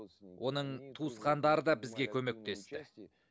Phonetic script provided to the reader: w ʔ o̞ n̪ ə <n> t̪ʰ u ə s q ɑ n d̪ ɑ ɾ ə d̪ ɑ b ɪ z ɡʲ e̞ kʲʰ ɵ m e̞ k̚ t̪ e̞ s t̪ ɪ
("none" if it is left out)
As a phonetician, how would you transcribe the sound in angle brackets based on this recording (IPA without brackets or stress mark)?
ɴ